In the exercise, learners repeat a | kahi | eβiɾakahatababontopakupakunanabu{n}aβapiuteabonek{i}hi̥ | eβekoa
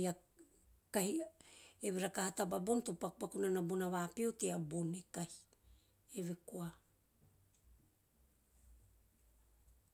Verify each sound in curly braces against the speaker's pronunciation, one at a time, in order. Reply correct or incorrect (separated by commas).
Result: correct, incorrect